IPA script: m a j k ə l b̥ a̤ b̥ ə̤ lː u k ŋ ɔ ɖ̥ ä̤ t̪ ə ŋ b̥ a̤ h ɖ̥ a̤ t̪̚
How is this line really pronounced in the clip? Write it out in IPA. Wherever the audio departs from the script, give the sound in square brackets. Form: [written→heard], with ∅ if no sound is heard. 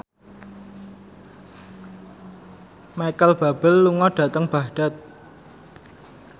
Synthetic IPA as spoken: m a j k ə l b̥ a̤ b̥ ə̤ lː u [k→∅] ŋ ɔ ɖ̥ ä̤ t̪ ə ŋ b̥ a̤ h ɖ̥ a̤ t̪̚

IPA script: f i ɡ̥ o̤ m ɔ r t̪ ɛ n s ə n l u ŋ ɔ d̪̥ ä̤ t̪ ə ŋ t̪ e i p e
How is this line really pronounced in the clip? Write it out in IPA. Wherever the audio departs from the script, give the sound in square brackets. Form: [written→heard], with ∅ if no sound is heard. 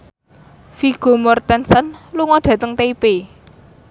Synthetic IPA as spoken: f i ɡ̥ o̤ m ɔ r t̪ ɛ n s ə n l u ŋ ɔ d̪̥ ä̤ t̪ ə ŋ t̪ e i p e

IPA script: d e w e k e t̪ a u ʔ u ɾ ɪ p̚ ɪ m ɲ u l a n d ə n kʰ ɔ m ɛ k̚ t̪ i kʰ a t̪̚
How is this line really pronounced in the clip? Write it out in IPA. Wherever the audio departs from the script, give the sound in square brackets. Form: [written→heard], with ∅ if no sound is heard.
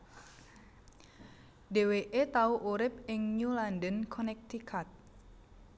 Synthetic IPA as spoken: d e w e [k→ʔ] e t̪ a u ʔ u ɾ ɪ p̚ ɪ [m→ŋ] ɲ u l a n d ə n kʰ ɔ [m→n] ɛ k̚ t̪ i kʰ a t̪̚

